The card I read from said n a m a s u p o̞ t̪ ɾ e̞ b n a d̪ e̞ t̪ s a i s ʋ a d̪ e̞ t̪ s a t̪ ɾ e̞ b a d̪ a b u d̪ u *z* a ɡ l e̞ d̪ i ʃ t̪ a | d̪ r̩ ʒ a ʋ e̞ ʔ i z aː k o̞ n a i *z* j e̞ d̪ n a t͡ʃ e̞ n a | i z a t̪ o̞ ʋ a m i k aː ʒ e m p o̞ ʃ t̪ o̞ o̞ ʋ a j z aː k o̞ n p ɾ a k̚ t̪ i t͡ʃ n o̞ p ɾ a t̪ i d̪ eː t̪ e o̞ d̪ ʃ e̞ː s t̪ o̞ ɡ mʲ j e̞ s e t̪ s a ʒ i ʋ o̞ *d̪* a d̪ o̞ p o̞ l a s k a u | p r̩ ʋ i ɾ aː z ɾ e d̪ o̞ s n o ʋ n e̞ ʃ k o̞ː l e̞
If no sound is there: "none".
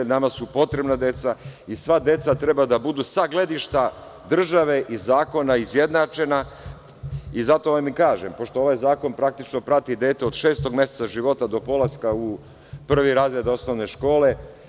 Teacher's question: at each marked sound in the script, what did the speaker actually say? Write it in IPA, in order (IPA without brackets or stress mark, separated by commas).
s, z, t̪